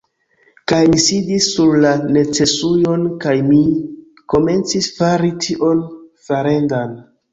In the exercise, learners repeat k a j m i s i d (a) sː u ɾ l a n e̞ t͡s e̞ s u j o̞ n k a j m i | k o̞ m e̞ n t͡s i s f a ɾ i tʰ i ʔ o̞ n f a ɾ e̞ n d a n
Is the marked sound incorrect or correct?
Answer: incorrect